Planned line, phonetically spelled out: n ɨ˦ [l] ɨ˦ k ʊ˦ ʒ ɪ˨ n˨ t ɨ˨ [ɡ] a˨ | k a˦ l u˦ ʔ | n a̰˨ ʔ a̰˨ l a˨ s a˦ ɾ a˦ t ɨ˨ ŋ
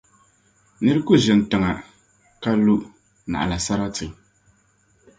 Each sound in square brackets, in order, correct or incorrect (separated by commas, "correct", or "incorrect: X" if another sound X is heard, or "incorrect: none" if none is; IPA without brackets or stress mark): incorrect: ɾ, incorrect: ŋ